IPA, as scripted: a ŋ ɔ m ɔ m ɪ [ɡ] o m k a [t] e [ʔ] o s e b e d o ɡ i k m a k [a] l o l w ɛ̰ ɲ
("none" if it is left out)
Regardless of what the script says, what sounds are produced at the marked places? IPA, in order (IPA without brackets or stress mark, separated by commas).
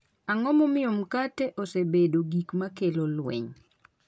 none, t, ʔ, e